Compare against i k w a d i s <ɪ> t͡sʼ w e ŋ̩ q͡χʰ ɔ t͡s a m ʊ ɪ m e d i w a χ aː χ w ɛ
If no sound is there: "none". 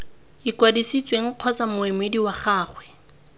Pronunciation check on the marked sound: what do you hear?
i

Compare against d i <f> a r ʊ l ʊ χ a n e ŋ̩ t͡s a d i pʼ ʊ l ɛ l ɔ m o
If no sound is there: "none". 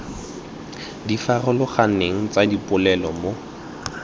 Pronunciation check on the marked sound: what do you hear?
f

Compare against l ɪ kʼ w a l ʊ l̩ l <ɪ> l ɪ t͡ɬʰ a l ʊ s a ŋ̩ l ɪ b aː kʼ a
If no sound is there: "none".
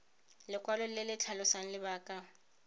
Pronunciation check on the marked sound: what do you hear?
ɪ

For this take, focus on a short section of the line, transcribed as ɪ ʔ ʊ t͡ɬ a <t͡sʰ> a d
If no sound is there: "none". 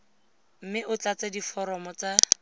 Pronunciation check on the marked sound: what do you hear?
t͡s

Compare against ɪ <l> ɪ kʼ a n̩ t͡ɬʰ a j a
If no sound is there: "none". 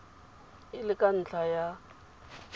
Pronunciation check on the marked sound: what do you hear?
l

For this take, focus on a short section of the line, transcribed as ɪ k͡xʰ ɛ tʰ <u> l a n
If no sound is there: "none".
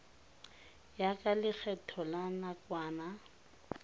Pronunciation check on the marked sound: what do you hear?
ɔ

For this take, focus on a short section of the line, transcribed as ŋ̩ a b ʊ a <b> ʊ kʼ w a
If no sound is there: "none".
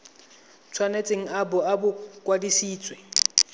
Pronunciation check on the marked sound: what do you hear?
b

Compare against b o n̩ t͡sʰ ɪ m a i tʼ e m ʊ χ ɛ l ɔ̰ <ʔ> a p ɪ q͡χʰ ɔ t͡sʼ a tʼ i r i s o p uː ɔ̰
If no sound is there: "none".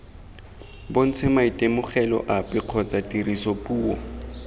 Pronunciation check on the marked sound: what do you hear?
ʔ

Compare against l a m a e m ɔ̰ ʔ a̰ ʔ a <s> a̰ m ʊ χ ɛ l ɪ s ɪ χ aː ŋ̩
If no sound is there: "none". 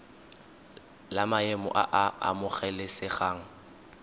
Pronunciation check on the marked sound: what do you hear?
none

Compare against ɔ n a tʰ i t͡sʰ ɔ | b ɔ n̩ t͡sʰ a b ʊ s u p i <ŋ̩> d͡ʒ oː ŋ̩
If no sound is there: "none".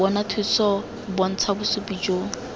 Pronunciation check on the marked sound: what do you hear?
none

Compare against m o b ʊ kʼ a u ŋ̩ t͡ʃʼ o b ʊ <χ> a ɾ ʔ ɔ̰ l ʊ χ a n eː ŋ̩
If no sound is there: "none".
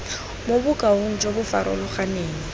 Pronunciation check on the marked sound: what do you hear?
f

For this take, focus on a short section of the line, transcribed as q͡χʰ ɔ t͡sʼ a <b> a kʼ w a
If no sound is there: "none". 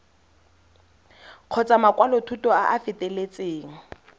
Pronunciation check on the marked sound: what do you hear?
m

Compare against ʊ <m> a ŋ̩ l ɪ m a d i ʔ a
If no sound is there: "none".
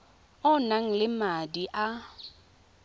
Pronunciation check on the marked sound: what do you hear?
n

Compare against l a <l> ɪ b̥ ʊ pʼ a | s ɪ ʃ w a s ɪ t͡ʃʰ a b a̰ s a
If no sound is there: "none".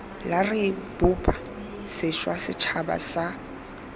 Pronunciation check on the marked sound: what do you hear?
r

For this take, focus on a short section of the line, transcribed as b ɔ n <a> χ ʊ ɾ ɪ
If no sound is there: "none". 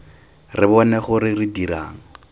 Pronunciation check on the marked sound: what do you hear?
ɛ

